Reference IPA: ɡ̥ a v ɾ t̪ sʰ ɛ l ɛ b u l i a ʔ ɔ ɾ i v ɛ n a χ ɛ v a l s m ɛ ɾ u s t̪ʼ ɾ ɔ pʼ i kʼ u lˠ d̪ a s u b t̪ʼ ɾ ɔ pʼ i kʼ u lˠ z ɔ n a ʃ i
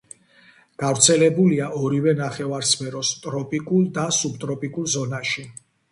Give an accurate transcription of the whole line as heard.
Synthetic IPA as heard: ɡ̥ a v ɾ t̪ sʰ ɛ l ɛ b u l i a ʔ ɔ ɾ i v ɛ n a χ ɛ v a ɾ s m ɛ ɾ ɔ s t̪ʼ ɾ ɔ pʼ i kʼ u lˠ d̪ a s u b t̪ʼ ɾ ɔ pʼ i kʼ u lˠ z ɔ n a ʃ i